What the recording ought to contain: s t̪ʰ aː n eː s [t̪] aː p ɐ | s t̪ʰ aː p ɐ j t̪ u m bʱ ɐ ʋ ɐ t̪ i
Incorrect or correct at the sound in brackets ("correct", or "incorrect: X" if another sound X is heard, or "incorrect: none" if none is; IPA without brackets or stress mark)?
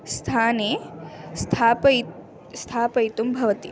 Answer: incorrect: t̪ʰ